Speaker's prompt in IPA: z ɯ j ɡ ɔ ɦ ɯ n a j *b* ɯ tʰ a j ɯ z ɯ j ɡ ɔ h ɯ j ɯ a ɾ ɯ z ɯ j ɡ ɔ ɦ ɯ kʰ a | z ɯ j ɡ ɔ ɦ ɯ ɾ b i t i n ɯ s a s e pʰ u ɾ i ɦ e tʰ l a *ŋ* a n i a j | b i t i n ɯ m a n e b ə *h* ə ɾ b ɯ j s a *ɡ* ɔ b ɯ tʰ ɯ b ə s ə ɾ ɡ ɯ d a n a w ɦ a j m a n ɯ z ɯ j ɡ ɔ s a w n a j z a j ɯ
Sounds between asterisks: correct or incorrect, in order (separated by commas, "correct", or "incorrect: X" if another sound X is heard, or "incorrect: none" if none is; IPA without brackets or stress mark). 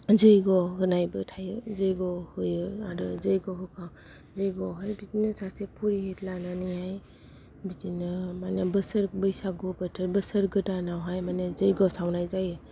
correct, incorrect: n, incorrect: s, correct